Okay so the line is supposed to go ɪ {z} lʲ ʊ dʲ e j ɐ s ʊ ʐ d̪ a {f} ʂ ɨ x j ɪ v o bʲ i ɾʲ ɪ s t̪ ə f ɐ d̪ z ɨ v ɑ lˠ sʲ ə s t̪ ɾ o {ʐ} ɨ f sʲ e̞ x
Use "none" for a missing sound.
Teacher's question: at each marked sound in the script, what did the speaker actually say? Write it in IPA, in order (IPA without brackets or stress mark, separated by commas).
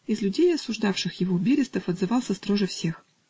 z, f, ʐ